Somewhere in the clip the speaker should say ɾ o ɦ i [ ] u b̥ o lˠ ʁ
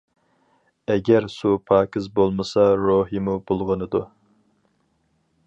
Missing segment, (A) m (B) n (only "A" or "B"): A